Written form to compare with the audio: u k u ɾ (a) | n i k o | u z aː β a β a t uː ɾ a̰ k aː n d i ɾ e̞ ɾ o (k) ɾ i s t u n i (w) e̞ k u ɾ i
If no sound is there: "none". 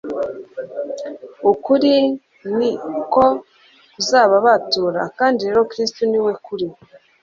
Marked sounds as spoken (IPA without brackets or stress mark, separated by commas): i, k, w